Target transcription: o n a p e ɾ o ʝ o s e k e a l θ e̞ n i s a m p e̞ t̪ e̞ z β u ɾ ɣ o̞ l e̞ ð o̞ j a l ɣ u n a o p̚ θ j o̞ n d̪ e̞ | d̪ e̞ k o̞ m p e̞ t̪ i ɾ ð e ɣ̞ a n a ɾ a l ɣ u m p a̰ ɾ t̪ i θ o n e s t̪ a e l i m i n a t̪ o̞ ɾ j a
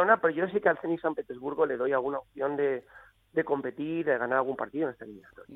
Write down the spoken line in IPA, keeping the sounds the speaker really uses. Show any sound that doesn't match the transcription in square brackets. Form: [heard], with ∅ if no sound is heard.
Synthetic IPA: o n a p e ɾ o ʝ o s [i] k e a l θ e̞ n i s a m p e̞ t̪ e̞ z β u ɾ ɣ o̞ l e̞ ð o̞ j a l ɣ u n a o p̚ θ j o̞ n d̪ e̞ | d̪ e̞ k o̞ m p e̞ t̪ i ɾ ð e ɣ̞ a n a ɾ a l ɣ u m p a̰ ɾ t̪ i [ð] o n e s t̪ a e l i m i n a t̪ o̞ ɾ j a